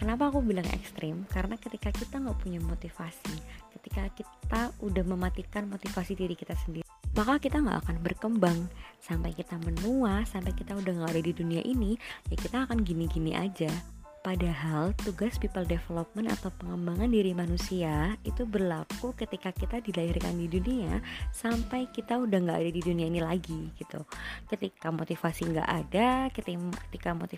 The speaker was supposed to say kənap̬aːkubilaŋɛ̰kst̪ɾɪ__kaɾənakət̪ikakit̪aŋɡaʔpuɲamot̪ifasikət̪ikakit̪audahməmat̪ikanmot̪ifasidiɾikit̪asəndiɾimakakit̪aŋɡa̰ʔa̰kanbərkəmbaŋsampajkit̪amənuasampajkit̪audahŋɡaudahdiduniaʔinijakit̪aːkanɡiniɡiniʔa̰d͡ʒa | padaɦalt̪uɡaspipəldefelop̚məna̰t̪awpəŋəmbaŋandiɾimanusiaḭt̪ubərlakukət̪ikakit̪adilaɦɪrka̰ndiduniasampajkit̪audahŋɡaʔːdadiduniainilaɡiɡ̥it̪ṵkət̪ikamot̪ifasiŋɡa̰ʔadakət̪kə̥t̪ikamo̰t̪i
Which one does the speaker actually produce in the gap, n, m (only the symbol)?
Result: m